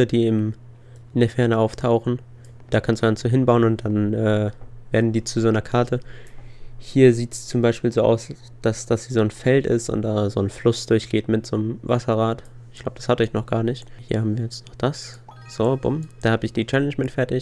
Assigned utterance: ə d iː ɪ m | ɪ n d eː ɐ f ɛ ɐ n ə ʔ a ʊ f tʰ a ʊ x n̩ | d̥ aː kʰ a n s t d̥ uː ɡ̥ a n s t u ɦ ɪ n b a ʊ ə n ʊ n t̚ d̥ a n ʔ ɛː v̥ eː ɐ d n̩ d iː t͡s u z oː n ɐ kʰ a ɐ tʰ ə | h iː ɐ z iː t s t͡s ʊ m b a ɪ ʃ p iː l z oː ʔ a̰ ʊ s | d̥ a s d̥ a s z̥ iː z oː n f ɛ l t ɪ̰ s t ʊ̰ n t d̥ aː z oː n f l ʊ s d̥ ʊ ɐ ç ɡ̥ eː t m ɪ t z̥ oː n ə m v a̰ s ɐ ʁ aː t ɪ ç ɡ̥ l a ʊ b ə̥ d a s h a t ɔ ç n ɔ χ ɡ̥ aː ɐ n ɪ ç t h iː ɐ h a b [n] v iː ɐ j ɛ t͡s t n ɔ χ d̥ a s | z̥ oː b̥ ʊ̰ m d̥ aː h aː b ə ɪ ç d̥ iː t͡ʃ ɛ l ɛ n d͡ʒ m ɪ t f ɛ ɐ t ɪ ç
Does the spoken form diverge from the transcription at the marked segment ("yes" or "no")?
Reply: yes